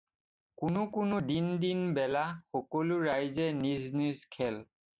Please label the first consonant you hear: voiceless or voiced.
voiceless